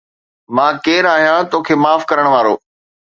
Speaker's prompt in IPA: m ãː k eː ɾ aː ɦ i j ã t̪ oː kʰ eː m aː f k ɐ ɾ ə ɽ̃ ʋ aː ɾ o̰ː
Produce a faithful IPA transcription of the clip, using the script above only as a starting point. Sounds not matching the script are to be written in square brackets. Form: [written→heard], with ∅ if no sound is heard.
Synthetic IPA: m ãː k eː ɾ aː ɦ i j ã t̪ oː kʰ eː m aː f k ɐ ɾ ə ɽ̃ ʋ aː ɾ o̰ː